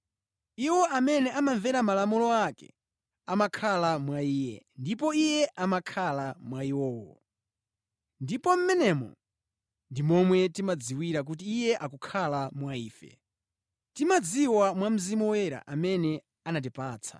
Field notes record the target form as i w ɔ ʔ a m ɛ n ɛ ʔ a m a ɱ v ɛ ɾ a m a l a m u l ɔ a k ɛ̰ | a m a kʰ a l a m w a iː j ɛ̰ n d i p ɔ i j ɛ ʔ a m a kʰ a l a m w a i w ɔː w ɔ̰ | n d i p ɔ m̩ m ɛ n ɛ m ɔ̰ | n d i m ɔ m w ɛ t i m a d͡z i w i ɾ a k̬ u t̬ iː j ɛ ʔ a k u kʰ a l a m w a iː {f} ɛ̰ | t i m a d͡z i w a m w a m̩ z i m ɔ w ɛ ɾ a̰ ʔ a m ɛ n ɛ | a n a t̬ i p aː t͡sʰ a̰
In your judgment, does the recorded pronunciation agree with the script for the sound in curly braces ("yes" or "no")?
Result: yes